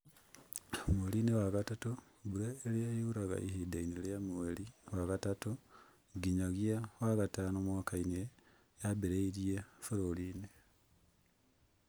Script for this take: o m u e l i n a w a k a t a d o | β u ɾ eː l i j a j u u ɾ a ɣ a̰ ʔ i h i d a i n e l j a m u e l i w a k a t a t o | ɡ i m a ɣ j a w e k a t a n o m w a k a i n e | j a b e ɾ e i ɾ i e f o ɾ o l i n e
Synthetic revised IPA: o m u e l i n e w a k a t a t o | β u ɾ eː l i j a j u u ɾ a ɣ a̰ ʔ i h i d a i n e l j a m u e l i w a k a t a t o | ɡ i ɲ a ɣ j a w a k a t a n o m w a k a i n e | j a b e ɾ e i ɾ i e f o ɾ o l i n e